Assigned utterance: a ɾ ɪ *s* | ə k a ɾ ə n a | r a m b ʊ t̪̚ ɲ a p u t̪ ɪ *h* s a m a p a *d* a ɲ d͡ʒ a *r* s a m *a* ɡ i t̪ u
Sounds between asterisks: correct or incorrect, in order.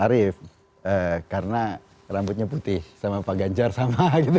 incorrect: f, correct, incorrect: ɡ, correct, correct

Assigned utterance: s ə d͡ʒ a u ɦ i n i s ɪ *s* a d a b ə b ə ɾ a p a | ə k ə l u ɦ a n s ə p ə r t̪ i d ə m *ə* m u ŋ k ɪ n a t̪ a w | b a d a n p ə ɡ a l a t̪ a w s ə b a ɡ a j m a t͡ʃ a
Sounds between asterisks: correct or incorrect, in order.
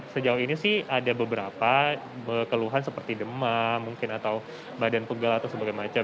incorrect: h, incorrect: a

